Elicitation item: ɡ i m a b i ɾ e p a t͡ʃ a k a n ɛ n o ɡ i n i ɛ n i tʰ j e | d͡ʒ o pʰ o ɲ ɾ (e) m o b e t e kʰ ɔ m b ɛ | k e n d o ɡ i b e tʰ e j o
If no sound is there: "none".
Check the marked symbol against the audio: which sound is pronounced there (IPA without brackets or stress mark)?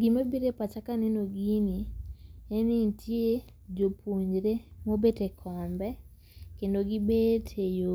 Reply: e